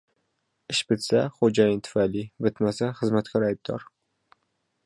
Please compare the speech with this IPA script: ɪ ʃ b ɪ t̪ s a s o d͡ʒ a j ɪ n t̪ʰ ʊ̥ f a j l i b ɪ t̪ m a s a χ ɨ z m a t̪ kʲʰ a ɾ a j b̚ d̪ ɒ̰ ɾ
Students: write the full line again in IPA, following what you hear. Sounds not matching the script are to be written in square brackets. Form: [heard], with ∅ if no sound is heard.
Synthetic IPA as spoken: ɪ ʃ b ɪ t̪ s a [χ] o d͡ʒ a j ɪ n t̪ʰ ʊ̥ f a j l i b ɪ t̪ m a s a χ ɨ z m a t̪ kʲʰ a ɾ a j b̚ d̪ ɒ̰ ɾ